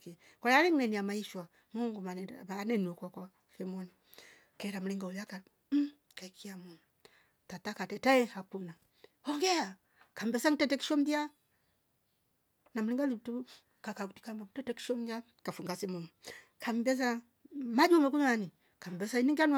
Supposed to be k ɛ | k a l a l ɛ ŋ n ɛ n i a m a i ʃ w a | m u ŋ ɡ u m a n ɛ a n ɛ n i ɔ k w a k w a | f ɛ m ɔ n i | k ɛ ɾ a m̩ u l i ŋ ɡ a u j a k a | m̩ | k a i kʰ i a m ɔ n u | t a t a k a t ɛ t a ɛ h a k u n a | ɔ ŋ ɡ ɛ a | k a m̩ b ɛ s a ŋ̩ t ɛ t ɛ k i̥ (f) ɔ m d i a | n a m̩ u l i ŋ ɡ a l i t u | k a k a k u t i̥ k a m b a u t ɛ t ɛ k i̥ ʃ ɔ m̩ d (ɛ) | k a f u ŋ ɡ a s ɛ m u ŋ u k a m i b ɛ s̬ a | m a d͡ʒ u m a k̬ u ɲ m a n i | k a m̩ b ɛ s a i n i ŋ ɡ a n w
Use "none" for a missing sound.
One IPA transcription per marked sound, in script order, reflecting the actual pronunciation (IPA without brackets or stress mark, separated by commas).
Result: ʃ, a